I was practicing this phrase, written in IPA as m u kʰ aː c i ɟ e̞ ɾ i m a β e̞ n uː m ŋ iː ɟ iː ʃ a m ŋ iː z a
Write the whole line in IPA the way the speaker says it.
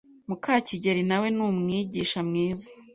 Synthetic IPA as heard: m u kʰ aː c i ɟ e̞ ɾ i n a w e̞ n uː m ŋ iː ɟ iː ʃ a m ŋ iː z a